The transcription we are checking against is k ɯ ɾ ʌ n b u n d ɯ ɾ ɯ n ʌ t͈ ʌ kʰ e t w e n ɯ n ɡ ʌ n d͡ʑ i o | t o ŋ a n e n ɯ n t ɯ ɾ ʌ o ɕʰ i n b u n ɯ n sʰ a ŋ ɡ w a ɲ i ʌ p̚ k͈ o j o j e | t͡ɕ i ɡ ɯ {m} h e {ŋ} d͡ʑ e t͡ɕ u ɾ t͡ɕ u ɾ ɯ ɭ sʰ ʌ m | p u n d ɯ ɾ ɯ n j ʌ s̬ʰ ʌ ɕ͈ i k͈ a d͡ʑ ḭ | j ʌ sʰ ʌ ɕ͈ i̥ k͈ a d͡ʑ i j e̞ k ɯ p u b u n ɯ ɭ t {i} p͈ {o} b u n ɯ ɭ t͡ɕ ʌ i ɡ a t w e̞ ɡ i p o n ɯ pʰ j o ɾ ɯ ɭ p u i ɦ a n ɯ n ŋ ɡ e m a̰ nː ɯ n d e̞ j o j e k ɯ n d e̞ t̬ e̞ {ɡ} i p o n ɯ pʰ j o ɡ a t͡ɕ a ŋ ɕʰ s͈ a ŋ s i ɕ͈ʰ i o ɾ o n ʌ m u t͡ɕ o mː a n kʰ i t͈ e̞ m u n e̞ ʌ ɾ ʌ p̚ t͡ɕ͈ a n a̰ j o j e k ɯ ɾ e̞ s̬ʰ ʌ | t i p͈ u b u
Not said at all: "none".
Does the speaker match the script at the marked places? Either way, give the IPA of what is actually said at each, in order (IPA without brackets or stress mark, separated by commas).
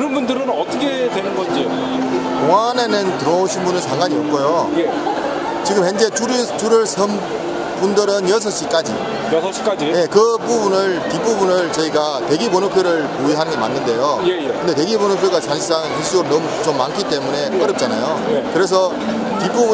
m, n, i, u, ɡ